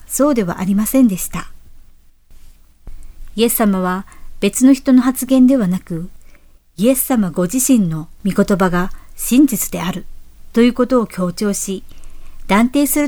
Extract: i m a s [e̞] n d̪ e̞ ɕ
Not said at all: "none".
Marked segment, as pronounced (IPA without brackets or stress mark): ẽ̞